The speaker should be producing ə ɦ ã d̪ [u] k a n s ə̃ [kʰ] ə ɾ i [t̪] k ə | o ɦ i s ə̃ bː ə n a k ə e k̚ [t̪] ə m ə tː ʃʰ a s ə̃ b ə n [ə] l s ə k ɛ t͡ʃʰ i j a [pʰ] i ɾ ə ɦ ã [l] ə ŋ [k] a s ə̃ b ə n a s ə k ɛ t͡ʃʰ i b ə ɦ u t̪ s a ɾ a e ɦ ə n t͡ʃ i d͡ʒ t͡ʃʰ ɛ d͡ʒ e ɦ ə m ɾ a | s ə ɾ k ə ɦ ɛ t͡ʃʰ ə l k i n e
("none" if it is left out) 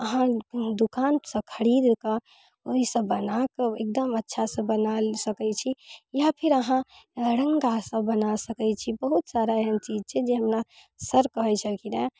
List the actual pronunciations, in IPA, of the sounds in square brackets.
u, kʰ, d̪, d̪, a, pʰ, ɾ, ɡ

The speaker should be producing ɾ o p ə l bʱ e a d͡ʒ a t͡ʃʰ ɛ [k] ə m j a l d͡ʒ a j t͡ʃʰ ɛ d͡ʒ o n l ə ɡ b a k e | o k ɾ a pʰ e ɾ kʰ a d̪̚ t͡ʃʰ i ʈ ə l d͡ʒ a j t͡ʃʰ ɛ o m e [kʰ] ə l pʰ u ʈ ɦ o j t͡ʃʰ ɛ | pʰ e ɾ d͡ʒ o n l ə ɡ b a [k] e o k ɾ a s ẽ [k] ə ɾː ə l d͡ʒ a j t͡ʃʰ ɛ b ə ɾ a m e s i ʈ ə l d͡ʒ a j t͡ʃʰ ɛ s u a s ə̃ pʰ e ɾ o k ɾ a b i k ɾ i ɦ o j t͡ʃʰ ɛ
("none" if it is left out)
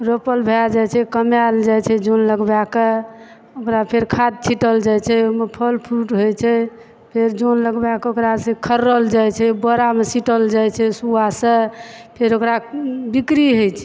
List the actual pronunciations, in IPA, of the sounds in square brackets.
k, pʰ, k, kʰ

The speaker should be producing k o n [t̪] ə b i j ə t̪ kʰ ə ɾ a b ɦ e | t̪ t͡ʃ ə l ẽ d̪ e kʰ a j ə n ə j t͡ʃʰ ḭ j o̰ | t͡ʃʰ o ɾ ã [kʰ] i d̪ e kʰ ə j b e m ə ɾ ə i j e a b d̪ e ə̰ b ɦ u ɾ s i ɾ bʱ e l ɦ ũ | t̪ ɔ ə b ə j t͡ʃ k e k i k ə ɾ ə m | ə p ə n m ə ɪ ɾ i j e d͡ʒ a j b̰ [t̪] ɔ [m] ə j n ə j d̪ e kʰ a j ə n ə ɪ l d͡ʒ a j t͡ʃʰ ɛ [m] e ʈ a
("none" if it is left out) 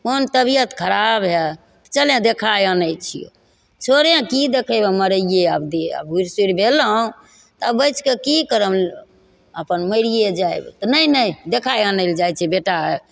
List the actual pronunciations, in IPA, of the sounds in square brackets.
t̪, k, t̪, n, b

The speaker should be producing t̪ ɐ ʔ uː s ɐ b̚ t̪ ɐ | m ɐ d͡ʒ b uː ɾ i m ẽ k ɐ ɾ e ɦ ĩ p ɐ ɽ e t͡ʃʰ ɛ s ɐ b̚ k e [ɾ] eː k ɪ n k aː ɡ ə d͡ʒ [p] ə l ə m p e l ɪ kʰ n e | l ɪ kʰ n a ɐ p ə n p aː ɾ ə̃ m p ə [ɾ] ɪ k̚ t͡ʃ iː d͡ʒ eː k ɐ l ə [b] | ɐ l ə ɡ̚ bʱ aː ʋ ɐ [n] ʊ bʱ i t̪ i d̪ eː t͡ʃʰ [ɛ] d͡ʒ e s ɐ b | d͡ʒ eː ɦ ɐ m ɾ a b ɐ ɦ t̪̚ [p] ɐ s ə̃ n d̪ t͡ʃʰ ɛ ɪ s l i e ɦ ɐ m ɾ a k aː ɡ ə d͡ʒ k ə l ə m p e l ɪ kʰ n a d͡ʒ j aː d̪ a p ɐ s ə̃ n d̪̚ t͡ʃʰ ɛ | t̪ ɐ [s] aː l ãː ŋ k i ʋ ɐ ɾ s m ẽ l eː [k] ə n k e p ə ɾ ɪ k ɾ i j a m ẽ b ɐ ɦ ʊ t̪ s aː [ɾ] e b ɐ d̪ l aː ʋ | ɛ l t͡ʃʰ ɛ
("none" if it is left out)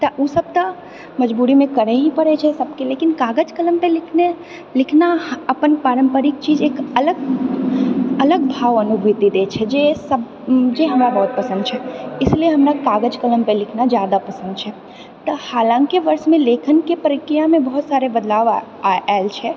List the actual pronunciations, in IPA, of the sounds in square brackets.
l, k, ɾ, ɡ, n, ɛ, p, h, kʰ, ɾ

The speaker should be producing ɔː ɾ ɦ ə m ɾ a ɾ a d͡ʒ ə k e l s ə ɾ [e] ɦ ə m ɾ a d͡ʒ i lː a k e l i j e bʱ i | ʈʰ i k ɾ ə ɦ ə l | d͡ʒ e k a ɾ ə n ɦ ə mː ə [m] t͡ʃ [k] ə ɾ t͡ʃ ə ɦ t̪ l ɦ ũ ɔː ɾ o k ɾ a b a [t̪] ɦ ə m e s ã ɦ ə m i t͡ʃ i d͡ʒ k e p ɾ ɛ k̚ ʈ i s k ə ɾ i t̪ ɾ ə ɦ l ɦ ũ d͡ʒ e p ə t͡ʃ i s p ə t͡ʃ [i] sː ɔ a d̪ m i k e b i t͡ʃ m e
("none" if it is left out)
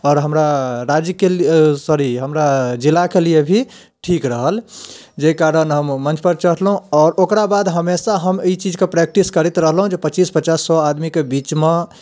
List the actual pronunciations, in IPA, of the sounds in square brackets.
i, n, p, d̪, a

